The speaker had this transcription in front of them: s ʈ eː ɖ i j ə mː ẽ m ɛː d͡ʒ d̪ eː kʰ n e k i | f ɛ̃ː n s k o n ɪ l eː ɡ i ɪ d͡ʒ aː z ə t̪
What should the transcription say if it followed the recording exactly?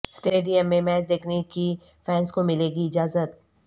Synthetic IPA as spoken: s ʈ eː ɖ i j ə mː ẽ m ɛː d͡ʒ d̪ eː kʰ n e k i | f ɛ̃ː n s k o m ɪ l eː ɡ i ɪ d͡ʒ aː z ə t̪